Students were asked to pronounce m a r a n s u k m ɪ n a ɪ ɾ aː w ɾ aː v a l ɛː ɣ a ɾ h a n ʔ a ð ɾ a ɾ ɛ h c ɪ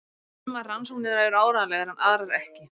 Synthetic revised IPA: m a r a n s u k n ɪ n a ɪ ɾ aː w ɾ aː ð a l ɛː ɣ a ɾ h a n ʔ a ð ɾ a ɾ ɛ h c ɪ